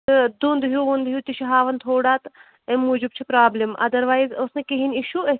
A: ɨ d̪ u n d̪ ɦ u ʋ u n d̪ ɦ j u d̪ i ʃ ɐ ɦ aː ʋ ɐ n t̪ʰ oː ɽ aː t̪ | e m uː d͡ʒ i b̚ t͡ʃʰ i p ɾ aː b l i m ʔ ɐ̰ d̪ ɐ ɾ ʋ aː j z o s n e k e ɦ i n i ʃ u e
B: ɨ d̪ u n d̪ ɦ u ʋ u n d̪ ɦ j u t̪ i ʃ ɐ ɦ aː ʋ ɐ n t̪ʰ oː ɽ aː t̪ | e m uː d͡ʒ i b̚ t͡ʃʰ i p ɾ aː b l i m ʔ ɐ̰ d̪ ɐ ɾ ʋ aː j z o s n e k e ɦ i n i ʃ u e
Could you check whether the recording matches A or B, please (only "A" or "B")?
B